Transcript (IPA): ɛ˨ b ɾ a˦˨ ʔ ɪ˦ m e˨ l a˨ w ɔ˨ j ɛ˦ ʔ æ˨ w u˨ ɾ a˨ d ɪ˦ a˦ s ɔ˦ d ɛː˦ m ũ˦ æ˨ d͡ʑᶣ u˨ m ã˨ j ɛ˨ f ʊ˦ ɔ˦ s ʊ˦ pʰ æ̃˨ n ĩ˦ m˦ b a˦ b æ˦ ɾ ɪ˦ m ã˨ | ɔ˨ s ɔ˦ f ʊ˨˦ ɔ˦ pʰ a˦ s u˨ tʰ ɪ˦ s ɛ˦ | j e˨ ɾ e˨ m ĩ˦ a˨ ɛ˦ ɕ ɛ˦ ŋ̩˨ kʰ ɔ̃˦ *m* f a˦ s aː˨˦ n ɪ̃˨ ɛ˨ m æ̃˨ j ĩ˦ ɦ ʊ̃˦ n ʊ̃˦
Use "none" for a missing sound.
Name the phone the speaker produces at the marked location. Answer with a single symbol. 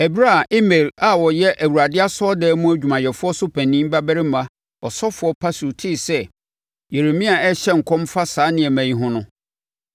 m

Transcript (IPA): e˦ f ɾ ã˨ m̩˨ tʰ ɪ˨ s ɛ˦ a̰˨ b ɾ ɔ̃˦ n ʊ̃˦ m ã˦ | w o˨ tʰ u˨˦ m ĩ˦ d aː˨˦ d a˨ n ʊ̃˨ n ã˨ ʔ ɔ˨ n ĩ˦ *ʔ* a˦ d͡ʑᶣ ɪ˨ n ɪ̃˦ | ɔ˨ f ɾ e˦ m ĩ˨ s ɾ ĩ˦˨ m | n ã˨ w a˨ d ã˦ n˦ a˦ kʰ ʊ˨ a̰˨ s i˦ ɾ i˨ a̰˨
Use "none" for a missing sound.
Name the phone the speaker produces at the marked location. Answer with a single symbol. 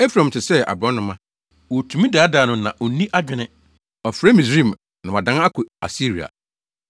ʔ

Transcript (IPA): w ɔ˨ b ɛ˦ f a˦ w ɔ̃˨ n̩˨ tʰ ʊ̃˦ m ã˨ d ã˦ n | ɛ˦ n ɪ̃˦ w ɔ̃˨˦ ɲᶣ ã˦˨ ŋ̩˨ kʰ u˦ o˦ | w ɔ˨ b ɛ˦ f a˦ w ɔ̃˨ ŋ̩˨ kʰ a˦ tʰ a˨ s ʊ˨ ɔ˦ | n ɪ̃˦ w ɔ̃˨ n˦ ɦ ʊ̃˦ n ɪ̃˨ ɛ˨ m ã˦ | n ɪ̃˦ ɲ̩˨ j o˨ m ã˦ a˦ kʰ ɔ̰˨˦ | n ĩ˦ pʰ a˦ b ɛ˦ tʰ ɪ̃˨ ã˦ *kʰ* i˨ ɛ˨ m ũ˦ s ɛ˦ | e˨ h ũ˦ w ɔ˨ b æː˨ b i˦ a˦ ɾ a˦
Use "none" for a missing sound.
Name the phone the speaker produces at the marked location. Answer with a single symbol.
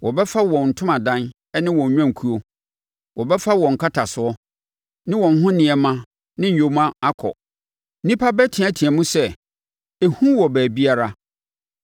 tʰ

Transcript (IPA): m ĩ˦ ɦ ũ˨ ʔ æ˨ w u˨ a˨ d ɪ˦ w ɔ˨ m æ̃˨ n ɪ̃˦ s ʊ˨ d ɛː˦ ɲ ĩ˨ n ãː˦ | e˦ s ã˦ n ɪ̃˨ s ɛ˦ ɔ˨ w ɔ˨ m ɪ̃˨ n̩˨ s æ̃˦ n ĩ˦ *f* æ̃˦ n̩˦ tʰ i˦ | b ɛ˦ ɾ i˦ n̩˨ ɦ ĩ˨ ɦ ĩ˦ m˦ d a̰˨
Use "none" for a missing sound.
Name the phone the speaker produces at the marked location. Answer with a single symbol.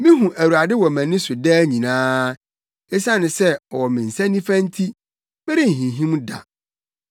f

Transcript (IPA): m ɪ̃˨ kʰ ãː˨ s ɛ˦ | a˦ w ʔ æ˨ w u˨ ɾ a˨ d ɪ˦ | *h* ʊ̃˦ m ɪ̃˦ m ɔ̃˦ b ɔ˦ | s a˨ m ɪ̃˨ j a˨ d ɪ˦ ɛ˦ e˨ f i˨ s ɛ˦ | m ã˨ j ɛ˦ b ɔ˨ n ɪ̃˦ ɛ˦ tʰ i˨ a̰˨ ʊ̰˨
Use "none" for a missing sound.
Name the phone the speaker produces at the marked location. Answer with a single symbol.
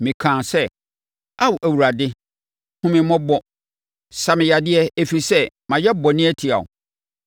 h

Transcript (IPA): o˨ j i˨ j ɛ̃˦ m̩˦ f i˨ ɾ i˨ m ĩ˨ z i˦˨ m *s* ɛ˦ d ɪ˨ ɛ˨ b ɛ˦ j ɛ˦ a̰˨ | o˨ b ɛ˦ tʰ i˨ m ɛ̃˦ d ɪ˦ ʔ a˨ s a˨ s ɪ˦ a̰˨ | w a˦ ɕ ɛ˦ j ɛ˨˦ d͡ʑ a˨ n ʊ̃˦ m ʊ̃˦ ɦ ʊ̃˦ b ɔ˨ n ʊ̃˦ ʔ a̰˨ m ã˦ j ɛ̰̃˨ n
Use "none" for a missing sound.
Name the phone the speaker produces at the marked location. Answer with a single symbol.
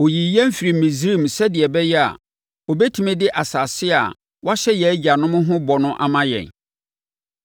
s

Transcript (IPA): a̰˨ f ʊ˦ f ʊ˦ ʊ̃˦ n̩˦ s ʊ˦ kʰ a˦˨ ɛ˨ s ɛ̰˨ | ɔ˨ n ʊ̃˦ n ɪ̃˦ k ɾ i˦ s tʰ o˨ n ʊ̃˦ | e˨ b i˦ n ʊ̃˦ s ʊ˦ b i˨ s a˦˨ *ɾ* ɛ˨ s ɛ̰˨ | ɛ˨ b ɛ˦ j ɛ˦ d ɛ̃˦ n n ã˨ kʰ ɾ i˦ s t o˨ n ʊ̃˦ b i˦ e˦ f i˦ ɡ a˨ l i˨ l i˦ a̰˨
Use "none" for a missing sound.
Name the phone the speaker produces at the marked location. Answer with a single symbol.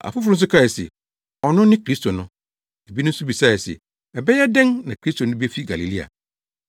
none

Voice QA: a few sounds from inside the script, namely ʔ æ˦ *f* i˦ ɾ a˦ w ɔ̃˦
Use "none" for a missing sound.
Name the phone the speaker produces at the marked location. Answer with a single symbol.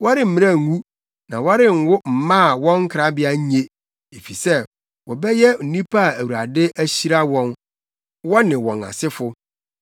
ɕ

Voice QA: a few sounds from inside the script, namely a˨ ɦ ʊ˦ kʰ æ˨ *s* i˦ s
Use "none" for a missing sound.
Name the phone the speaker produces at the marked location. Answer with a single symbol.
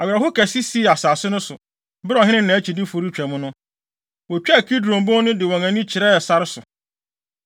s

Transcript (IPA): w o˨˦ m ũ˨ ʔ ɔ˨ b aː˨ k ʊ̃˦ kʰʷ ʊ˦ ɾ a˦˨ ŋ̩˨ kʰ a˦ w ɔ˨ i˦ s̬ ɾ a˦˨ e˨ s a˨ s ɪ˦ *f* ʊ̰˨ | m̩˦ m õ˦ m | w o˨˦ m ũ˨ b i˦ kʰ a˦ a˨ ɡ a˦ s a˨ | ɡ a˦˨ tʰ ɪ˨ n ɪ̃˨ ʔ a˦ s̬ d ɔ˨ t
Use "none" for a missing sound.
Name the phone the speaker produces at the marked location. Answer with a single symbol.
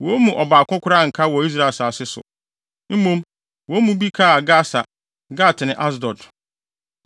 s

